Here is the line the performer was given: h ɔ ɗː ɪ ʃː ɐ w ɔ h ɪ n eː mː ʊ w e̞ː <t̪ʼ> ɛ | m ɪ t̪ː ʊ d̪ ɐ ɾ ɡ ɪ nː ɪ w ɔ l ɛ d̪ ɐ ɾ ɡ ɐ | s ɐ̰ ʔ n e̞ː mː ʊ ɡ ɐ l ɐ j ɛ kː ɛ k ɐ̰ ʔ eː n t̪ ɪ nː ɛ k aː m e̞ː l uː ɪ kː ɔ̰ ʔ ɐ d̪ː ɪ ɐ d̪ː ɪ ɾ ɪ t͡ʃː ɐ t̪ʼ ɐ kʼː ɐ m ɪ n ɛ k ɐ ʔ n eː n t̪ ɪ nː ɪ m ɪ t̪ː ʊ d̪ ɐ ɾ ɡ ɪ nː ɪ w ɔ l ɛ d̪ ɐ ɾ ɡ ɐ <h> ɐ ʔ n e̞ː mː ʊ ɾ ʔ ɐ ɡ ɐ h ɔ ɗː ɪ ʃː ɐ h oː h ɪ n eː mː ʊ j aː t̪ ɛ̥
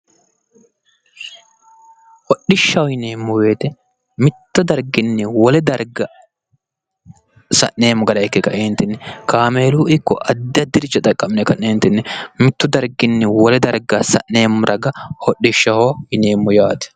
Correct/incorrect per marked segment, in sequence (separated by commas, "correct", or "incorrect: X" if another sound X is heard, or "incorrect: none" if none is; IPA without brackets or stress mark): incorrect: t̪, incorrect: s